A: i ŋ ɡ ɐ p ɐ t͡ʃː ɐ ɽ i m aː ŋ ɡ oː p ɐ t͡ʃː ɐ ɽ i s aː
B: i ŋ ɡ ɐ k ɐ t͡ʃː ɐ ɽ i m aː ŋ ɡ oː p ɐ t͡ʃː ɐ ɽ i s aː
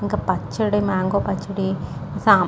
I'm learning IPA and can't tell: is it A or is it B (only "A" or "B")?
A